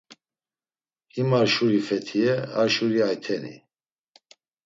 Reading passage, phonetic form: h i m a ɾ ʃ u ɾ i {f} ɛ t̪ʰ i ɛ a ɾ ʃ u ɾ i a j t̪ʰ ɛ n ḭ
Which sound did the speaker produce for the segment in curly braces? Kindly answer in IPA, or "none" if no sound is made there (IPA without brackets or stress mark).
f